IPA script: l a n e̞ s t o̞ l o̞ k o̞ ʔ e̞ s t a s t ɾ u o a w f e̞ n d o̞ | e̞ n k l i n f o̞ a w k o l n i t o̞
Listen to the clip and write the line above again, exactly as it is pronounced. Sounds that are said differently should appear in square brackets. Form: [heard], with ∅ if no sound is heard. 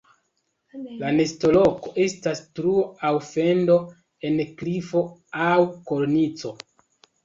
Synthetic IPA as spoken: l a n e̞ s t o̞ l o̞ k o̞ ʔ e̞ s t a s t ɾ u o a w f e̞ n d o̞ | e̞ n k l i [∅] f o̞ a w k o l n i [t͡s] o̞